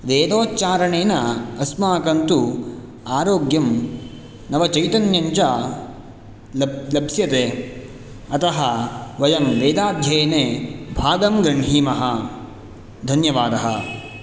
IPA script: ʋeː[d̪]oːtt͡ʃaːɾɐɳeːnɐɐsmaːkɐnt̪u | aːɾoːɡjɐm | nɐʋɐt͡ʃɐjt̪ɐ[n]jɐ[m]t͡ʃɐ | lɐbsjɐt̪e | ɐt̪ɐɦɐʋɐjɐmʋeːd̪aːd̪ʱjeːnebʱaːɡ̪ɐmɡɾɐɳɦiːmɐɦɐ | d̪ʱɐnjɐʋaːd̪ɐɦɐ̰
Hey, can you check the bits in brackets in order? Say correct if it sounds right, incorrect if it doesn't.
correct, correct, incorrect

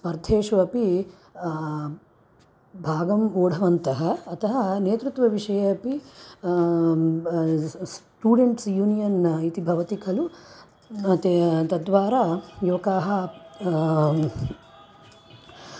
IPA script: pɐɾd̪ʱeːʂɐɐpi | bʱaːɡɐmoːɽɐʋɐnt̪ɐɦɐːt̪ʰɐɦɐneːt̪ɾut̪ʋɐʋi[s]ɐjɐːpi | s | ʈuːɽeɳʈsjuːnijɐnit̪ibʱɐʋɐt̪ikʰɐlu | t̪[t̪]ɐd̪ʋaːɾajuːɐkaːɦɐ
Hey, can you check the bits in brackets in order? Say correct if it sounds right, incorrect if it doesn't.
incorrect, correct

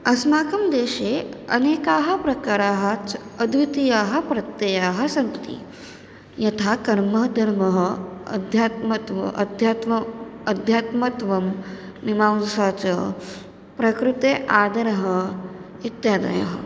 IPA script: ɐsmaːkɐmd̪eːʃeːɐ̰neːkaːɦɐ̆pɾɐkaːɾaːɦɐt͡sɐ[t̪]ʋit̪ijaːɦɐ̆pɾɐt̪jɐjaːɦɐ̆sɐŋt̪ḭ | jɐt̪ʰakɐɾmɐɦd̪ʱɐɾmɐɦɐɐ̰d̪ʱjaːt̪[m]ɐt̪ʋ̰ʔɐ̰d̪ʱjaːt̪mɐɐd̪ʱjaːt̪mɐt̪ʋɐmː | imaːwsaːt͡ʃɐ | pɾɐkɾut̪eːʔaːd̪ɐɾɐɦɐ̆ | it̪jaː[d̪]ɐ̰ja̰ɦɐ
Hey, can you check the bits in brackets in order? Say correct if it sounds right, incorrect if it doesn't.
incorrect, correct, correct

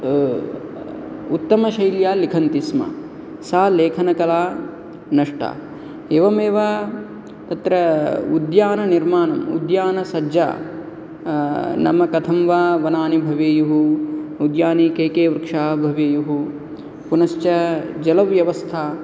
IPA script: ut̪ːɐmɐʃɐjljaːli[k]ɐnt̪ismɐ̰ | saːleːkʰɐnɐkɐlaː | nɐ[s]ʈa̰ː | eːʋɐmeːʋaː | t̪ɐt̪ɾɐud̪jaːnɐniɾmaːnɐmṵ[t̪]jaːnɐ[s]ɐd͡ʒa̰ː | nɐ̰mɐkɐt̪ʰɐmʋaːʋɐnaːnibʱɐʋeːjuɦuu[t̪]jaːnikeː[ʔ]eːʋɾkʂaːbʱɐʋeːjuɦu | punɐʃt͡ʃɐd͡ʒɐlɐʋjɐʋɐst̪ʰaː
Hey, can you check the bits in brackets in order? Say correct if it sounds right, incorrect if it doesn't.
incorrect, incorrect, incorrect, correct, incorrect, incorrect

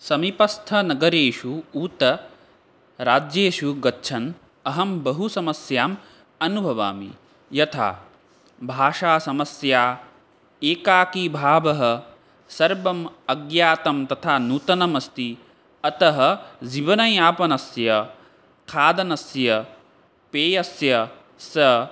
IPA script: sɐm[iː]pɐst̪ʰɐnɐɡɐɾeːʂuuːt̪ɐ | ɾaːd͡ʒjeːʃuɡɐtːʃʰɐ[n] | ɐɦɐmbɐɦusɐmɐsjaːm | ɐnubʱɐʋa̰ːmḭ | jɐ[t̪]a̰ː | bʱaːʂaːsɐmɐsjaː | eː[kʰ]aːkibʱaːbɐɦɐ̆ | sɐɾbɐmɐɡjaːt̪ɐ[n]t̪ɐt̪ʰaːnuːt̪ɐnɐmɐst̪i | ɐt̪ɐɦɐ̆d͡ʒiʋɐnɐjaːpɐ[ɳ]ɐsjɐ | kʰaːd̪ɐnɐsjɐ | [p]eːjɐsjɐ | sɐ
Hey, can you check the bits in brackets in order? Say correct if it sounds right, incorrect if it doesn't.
incorrect, correct, incorrect, incorrect, incorrect, incorrect, correct

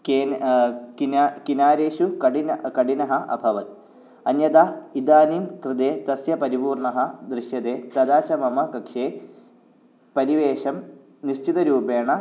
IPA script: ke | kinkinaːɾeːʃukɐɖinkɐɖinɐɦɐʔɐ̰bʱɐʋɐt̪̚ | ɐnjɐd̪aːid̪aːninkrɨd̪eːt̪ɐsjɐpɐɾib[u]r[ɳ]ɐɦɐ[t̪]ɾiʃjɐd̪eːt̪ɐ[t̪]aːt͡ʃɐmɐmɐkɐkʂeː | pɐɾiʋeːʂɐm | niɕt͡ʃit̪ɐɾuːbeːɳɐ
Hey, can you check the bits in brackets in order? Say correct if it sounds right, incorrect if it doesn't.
incorrect, correct, incorrect, incorrect

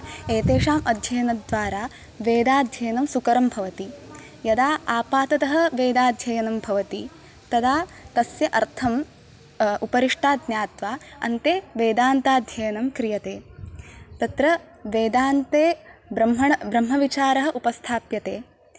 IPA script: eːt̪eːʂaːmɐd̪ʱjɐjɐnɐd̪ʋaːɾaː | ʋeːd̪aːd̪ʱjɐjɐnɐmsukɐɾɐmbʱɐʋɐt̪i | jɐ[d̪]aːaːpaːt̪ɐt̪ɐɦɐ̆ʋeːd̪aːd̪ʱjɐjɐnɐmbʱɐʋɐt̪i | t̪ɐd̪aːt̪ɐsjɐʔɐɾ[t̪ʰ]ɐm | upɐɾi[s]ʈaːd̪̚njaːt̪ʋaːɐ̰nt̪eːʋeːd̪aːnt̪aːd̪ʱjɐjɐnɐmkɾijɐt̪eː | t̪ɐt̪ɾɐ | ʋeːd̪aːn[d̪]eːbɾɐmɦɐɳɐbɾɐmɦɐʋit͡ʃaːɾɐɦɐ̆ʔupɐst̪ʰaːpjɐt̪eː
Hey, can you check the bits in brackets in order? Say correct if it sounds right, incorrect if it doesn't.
correct, correct, incorrect, incorrect

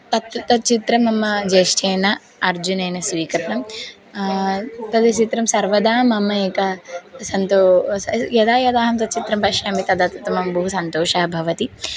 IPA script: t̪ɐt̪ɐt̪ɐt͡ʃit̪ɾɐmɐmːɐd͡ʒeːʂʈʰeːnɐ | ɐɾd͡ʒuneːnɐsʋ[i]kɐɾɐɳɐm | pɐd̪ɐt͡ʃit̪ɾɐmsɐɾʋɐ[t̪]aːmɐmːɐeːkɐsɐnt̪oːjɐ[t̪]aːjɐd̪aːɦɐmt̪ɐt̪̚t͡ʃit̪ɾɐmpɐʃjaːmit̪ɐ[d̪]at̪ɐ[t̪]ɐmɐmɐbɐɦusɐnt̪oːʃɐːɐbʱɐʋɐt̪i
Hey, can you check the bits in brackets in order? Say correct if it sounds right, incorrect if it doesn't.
incorrect, incorrect, incorrect, correct, correct

